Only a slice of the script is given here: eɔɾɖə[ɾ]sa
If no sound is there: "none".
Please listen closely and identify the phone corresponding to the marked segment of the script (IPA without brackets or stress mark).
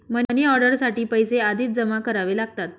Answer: ɾ